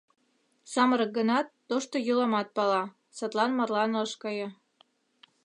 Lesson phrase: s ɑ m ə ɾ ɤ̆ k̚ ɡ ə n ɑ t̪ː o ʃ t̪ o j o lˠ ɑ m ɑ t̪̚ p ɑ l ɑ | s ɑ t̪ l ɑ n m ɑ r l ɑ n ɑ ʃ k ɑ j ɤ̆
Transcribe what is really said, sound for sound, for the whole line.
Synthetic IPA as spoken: s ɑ m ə ɾ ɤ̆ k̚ ɡ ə n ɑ t̪ː o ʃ t̪ o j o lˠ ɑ m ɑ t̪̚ p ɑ l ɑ | s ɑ t̪ l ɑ n m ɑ r l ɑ n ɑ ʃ k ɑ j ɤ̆